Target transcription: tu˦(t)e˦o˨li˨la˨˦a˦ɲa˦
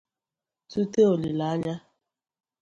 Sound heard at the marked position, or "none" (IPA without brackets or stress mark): t